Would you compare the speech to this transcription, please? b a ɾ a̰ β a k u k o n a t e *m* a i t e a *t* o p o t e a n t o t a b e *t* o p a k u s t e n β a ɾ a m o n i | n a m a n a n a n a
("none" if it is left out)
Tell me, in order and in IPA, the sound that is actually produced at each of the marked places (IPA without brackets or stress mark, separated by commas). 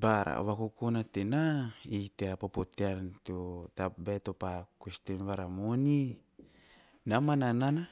n, p, t